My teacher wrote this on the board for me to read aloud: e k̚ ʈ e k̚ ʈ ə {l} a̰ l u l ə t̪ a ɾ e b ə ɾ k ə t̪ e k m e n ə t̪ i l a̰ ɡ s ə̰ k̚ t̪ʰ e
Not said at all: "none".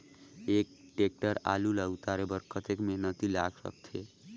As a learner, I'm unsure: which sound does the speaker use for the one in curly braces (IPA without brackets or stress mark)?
ɾ